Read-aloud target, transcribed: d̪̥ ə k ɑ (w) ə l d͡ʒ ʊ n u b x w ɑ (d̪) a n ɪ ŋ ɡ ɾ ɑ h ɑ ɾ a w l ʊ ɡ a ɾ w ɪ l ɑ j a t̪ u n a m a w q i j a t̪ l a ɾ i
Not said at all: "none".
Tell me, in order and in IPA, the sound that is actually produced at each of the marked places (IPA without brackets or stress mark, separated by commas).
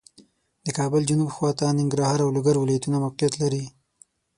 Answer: b, t̪